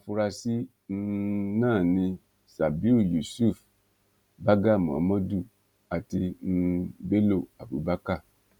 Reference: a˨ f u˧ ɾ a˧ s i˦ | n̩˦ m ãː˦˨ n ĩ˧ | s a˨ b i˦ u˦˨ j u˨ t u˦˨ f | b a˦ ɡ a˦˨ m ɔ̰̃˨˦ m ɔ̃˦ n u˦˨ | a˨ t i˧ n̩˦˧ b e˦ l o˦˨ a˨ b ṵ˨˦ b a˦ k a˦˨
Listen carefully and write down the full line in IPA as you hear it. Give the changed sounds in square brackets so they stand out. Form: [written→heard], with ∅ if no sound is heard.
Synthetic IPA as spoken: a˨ f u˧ ɾ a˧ s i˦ | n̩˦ [m→n] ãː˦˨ n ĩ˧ | s a˨ b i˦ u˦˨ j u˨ [t→s] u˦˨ f | b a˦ ɡ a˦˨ m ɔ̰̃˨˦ m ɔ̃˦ [n→d] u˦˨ | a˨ t i˧ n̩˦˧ b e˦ l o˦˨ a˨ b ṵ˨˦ b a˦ k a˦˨

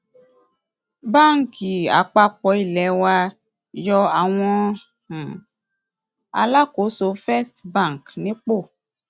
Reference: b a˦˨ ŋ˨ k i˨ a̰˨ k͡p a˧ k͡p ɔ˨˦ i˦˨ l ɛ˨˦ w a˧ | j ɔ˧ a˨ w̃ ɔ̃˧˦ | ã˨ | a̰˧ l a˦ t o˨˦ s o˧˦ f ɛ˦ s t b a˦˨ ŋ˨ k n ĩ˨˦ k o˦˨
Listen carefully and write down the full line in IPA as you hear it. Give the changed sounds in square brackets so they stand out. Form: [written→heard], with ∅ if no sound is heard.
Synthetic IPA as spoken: b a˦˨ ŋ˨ k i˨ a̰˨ k͡p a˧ k͡p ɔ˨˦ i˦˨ l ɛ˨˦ w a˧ | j ɔ˧ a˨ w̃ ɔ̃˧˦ | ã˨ | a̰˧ l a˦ [t→k] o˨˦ s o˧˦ f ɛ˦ s t b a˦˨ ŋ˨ k n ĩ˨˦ [k→k͡p] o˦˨

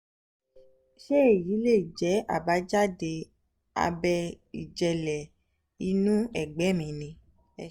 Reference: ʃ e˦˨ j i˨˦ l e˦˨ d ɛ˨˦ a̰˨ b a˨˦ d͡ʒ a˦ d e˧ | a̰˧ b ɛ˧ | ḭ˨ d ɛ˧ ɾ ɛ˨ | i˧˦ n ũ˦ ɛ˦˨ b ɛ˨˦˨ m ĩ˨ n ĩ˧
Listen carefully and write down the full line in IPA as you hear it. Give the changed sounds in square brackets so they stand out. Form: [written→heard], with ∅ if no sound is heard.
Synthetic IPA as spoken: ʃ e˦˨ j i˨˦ l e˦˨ [d→d͡ʒ] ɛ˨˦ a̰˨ b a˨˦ d͡ʒ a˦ d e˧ | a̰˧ b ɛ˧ | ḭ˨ [d→d͡ʒ] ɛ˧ [ɾ→l] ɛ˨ | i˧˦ n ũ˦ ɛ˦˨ [b→ɡ͡b] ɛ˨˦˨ m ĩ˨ n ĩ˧

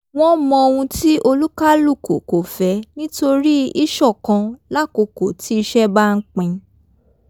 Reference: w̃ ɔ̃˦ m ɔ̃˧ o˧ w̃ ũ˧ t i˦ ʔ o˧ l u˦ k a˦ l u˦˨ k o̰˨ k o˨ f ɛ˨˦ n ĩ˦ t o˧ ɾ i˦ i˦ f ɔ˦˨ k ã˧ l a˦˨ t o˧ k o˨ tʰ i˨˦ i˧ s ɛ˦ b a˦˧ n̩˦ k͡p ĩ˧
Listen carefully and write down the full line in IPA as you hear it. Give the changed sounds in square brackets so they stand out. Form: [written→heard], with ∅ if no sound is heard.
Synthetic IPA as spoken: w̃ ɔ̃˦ m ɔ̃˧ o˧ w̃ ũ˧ t i˦ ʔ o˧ l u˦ k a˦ l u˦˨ k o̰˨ k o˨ f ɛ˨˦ n ĩ˦ t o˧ ɾ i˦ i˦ [f→ʃ] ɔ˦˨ k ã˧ l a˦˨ [t→k] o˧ k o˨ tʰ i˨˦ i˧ [s→ʃ] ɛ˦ b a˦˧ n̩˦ k͡p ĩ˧

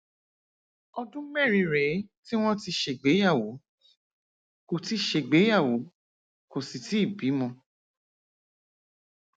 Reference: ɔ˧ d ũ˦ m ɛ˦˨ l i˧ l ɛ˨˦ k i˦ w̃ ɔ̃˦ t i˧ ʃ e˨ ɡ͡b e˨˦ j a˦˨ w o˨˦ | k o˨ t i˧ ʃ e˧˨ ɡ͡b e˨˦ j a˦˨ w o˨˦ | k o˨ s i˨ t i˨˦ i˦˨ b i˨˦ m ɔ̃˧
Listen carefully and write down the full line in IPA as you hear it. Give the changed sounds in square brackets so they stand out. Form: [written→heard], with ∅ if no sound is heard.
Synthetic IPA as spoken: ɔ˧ d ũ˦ m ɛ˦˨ [l→ɾ] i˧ [l→ɾ] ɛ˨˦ [k→t] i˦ w̃ ɔ̃˦ t i˧ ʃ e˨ ɡ͡b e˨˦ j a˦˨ w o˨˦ | k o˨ t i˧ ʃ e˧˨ ɡ͡b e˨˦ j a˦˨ w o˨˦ | k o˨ s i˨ t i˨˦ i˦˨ b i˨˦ m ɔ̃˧

